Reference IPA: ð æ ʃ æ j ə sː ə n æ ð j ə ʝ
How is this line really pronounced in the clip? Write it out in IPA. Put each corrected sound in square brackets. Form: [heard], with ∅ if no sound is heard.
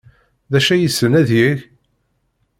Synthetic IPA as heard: ð æ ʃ æ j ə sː ə n æ ð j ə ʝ